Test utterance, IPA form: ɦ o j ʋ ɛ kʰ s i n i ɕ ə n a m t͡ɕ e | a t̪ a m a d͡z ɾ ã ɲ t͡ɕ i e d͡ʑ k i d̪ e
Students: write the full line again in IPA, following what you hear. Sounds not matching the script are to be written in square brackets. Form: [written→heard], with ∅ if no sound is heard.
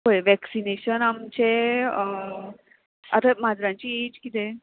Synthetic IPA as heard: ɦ o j ʋ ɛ [kʰ→k] s i n [i→e] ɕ ə n a m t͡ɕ e | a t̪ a m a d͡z ɾ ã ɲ t͡ɕ i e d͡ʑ k i [d̪→t̪] e